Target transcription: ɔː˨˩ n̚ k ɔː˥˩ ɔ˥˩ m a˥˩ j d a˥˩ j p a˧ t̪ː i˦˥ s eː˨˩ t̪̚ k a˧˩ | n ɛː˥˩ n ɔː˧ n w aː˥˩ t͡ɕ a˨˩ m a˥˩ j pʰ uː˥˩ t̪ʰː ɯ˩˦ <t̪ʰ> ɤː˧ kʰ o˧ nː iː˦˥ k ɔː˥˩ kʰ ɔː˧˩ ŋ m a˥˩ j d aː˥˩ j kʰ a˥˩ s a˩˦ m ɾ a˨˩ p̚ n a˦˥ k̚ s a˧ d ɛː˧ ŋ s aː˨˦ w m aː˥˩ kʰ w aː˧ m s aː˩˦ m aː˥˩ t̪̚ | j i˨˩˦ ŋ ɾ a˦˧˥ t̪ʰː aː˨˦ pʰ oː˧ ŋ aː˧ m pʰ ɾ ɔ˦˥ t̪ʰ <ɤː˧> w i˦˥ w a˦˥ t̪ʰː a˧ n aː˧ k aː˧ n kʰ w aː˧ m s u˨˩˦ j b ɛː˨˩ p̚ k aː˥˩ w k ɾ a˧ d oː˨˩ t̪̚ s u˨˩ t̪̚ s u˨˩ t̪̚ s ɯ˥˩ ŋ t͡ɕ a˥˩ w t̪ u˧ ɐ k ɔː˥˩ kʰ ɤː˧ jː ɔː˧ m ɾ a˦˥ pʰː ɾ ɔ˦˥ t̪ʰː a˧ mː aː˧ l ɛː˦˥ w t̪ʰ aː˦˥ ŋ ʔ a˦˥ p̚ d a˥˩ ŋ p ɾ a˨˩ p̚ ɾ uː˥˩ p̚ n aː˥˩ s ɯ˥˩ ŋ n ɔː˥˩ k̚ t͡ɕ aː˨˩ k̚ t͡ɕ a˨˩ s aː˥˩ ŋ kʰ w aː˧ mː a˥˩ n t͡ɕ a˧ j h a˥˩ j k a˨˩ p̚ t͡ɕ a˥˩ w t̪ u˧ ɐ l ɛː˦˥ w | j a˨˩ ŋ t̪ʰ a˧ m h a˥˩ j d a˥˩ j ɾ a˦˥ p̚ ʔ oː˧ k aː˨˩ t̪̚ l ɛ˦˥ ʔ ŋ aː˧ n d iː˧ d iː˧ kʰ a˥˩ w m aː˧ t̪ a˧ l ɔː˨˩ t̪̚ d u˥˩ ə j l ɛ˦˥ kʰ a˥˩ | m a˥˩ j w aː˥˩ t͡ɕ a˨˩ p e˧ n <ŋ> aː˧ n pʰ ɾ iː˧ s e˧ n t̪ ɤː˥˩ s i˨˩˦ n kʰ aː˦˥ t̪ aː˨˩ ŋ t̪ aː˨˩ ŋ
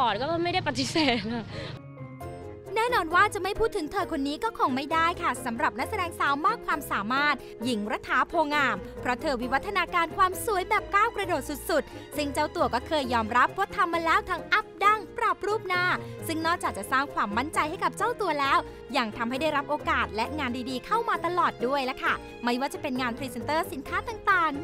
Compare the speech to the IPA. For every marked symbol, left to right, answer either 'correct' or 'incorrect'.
correct, correct, correct

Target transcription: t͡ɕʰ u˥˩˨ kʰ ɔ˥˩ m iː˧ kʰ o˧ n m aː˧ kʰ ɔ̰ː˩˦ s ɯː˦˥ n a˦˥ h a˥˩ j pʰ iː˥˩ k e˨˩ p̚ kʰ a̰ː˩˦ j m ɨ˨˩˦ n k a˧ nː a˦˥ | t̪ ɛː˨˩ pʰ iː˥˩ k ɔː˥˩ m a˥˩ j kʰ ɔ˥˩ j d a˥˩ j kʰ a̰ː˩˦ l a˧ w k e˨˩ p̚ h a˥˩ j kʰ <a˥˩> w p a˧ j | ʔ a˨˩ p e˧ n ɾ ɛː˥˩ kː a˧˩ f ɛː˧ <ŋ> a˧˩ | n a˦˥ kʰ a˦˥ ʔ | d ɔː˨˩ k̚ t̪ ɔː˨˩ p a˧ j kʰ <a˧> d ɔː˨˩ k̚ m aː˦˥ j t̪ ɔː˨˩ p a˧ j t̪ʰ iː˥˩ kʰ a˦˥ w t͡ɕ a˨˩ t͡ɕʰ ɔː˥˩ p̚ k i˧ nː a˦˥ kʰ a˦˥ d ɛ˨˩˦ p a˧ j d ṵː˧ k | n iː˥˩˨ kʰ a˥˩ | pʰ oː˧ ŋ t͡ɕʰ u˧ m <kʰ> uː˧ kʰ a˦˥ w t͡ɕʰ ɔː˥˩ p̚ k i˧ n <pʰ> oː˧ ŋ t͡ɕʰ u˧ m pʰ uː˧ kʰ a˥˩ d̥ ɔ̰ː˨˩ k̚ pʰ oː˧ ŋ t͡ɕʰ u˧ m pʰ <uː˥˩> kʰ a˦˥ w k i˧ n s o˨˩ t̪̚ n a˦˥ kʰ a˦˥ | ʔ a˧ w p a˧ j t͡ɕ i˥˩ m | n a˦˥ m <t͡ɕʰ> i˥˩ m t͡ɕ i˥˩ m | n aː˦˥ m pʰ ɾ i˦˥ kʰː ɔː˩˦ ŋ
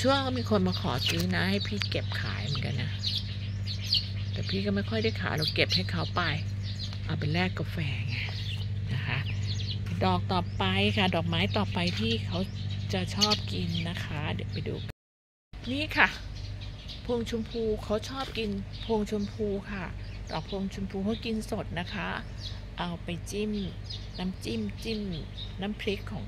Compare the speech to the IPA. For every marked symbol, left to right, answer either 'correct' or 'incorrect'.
incorrect: a˦˥, correct, incorrect: a˥˩, incorrect: pʰ, correct, incorrect: uː˧, incorrect: t͡ɕ

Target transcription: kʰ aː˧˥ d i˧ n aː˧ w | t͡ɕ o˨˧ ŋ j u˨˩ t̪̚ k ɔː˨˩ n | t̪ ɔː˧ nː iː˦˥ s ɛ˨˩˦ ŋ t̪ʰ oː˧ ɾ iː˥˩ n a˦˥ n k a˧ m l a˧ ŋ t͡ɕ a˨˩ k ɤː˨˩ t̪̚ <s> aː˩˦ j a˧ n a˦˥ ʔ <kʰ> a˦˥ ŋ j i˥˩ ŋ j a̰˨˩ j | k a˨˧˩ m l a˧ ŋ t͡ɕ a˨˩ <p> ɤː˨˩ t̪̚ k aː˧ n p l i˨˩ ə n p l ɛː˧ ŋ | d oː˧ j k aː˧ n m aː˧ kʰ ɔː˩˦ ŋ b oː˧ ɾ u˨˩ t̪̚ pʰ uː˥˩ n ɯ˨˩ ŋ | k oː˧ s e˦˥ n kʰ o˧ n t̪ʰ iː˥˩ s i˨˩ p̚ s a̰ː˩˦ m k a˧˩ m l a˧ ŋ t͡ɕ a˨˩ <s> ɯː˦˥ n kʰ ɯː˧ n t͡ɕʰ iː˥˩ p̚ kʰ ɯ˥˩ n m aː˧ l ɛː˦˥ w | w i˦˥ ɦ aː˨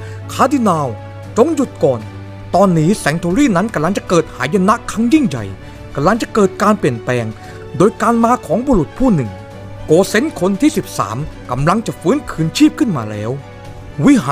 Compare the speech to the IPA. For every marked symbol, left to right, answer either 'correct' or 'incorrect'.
incorrect: h, correct, incorrect: k, incorrect: f

